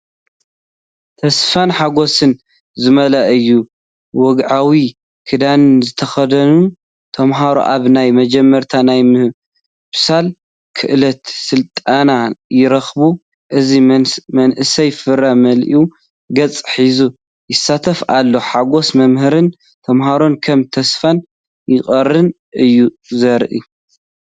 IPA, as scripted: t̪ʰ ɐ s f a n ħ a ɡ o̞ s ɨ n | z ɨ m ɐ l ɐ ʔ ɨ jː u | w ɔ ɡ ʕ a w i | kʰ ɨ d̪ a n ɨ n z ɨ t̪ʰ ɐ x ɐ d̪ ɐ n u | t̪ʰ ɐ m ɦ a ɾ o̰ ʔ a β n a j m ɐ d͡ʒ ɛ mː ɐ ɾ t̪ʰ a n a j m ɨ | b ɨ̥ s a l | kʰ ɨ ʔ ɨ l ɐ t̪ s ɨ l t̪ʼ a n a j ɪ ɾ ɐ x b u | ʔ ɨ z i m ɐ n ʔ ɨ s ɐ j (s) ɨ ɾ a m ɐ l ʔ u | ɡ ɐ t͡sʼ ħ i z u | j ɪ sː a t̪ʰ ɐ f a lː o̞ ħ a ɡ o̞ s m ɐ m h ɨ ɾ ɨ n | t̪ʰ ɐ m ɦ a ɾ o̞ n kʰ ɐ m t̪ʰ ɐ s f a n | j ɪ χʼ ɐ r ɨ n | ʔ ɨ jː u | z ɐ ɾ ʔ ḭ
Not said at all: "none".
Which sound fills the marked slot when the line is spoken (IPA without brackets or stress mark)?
f